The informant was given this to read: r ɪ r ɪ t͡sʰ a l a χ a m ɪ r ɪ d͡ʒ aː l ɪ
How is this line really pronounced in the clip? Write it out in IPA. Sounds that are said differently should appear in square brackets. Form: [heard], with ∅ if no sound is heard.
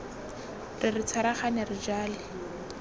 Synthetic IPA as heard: r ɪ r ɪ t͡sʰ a [ɾ] a χ a [n] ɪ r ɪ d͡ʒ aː l ɪ